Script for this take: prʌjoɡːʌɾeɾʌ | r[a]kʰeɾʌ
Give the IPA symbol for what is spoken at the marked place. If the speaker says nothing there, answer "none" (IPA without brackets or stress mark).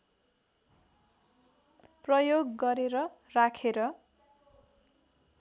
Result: a